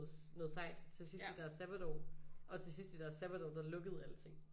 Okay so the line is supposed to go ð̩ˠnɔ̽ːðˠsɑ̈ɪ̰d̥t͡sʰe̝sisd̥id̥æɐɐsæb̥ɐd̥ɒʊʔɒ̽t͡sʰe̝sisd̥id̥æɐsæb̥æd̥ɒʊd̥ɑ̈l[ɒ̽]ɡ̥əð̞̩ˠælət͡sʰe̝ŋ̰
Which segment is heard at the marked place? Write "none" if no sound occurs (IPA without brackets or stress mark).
ɔ̽